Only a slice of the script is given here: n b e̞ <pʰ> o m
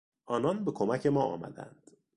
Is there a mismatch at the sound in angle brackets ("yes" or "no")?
yes